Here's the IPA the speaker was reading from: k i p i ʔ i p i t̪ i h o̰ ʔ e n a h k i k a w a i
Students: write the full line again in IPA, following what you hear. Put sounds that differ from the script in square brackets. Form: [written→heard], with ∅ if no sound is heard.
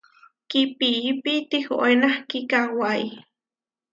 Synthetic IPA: k i p i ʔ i p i t̪ i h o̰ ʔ e n a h k i k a w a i